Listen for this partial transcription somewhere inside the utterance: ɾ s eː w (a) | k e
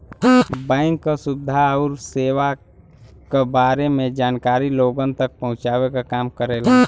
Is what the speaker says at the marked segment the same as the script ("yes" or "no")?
yes